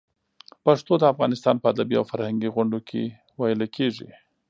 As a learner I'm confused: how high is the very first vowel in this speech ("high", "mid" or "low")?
low